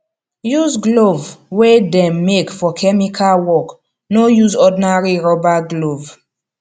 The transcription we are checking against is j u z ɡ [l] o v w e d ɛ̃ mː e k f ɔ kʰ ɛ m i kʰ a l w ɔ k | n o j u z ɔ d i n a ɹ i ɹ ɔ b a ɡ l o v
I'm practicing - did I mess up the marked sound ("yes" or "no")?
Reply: no